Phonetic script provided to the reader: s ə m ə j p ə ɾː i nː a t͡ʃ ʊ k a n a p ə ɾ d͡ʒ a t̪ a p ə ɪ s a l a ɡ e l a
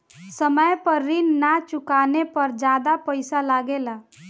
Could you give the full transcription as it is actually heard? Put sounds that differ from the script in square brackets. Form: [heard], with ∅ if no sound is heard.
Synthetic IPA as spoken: s ə m ə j p ə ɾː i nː a t͡ʃ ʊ k a n [e] p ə ɾ d͡ʒ a [d̪] a p ə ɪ s a l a ɡ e l a

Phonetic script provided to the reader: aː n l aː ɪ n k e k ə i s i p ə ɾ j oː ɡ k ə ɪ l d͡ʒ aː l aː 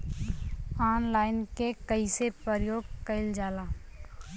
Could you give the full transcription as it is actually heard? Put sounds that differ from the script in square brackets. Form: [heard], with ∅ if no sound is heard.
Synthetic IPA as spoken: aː n l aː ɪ n k e k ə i s [e] p ə ɾ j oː ɡ k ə ɪ l d͡ʒ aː l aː

